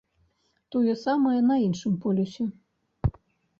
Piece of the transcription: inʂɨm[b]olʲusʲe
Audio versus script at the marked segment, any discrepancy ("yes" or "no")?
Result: yes